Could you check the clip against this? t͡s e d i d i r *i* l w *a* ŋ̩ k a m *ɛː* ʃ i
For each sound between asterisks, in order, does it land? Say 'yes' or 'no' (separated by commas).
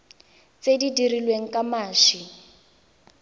yes, no, no